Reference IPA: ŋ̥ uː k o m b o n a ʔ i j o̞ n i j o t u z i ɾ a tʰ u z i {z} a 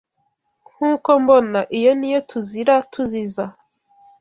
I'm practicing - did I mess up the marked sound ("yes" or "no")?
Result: no